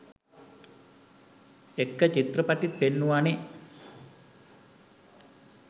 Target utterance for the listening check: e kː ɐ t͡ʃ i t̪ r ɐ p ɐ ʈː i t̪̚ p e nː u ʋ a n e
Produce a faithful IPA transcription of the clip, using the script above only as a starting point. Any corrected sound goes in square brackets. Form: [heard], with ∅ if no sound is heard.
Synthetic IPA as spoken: e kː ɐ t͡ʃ i t̪ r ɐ p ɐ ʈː i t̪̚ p e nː u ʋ a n e